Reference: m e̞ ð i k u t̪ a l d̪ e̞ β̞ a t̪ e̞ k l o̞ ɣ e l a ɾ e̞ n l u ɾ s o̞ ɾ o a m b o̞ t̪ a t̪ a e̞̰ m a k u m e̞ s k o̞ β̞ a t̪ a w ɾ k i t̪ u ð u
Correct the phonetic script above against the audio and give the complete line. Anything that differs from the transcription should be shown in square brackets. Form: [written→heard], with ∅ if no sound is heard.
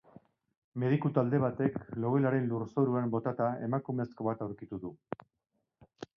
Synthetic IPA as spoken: m e̞ ð i k u t̪ a l d̪ e̞ β̞ a t̪ e̞ k l o̞ ɣ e l a ɾ e̞ n l u ɾ s o̞ ɾ [o→u] a m b o̞ t̪ a t̪ a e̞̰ m a k u m e̞ s k o̞ β̞ a t̪ a w ɾ k i t̪ u ð u